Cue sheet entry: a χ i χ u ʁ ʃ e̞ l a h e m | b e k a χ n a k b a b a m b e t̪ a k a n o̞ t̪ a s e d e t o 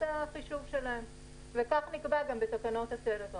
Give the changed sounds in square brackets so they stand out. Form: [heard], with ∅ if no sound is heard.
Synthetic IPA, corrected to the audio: a χ i [ʃ] u [v] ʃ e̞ l a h e m | [v] e k a χ n [i] k b a [ɡ] a m b e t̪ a k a n o̞ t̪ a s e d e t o